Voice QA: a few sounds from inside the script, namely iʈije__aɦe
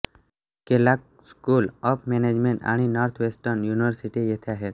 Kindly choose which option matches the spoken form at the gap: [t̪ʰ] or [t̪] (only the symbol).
t̪ʰ